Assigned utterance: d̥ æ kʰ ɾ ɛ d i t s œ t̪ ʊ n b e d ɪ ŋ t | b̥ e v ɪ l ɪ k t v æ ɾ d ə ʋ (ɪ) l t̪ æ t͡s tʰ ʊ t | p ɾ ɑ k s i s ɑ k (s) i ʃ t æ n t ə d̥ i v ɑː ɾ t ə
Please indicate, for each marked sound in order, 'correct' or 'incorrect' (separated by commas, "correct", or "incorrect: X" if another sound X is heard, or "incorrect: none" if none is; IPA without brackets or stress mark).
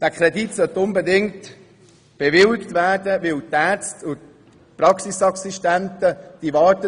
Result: correct, correct